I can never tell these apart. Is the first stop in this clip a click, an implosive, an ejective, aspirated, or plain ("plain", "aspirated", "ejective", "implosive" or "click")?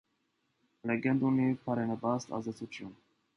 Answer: plain